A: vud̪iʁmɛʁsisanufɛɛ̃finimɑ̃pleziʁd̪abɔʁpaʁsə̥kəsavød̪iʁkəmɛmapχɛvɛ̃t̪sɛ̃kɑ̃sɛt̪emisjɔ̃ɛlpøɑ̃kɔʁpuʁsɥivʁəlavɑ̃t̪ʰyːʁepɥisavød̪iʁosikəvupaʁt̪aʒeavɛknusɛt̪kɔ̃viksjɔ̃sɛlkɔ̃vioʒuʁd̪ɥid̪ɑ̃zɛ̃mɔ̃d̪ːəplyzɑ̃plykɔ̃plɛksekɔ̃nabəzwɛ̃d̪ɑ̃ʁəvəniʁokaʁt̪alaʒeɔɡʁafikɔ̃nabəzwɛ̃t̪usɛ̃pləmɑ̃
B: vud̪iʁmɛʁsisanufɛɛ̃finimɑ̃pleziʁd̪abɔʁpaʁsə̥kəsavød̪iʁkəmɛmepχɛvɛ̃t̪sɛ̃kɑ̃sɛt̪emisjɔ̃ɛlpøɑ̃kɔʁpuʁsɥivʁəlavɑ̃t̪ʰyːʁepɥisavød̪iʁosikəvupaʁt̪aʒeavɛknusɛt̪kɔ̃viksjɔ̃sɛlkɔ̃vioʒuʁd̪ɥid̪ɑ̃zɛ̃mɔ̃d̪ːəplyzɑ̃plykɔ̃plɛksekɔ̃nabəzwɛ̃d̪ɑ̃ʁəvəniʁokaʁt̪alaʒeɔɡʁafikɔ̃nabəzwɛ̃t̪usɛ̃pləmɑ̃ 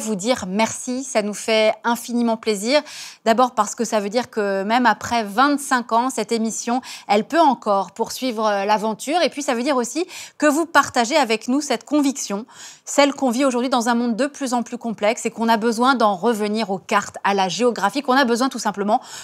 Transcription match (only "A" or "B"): A